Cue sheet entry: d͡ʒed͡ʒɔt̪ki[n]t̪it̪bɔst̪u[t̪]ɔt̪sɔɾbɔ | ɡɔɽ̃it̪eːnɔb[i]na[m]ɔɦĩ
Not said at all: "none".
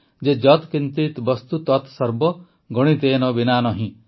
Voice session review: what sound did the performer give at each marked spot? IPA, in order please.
n, t̪, i, n

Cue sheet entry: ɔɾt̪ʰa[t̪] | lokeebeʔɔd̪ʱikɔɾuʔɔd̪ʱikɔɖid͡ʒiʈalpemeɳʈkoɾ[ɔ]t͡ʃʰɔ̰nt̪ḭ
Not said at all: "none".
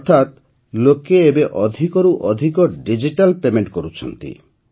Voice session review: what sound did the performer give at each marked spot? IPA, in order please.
t̪, u

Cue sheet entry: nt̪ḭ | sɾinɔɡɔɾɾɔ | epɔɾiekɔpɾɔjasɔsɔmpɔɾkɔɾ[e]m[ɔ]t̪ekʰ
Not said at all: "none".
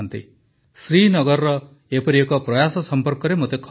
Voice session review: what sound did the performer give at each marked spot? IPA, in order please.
e, o

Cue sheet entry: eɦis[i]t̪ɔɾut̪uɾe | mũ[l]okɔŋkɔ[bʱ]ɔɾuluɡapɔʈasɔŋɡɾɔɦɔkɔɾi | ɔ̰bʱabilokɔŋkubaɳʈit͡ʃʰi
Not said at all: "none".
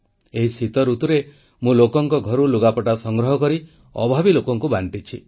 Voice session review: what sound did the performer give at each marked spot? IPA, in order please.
i, l, ɡʱ

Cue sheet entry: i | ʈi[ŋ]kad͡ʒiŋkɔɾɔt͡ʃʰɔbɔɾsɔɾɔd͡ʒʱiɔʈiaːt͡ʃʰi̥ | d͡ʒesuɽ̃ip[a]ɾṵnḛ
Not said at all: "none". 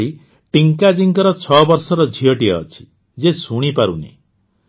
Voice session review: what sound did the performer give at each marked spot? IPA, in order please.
ŋ, a

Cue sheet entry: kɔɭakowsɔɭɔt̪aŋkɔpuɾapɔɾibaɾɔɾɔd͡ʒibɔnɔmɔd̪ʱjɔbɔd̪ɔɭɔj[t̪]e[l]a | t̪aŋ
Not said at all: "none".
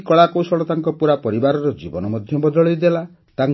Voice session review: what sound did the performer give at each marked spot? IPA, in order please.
d̪, l

